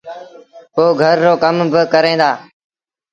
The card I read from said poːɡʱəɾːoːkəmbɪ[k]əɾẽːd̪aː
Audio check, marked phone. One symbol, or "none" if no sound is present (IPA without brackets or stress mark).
k